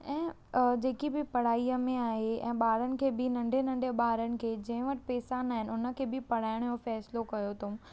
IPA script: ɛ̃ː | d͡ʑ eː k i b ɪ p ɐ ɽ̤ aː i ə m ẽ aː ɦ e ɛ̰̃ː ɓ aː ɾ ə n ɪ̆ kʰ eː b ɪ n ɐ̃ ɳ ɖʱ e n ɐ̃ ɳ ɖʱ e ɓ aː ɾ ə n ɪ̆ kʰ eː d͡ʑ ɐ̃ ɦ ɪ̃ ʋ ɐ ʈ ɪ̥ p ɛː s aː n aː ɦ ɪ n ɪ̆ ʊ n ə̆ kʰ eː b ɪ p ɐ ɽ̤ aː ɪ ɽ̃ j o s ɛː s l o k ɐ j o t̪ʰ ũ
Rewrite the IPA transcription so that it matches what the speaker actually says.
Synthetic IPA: ɛ̃ː | d͡ʑ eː k i b ɪ p ɐ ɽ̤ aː i ə m ẽ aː ɦ e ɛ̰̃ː ɓ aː ɾ ə n ɪ̆ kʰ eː b ɪ n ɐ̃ ɳ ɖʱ e n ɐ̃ ɳ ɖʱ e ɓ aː ɾ ə n ɪ̆ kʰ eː d͡ʑ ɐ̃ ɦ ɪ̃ ʋ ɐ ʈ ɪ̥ p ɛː s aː n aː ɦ ɪ n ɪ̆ ʊ n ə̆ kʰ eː b ɪ p ɐ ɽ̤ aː ɪ ɽ̃ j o f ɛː s l o k ɐ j o t̪ʰ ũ